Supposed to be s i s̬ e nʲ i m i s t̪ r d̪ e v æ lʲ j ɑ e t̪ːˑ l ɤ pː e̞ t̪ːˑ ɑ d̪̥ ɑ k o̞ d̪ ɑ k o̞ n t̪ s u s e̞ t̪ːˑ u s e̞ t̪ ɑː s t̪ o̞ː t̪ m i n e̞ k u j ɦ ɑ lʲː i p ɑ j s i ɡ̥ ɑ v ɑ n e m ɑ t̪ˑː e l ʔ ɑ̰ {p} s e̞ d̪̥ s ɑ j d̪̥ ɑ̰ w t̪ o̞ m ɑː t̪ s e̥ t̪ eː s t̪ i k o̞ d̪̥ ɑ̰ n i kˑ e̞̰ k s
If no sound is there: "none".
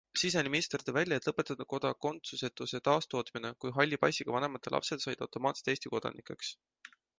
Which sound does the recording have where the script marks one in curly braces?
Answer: p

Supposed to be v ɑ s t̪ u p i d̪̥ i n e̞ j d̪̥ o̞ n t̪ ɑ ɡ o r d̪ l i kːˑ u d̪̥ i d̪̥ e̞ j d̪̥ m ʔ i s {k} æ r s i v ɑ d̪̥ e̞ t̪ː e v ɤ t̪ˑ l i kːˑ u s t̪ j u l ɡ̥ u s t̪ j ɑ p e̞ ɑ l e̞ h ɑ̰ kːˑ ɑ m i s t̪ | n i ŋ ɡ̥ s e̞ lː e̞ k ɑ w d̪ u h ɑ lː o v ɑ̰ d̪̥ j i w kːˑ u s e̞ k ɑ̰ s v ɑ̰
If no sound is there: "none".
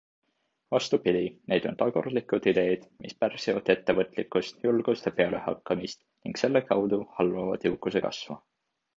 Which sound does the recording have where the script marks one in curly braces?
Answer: p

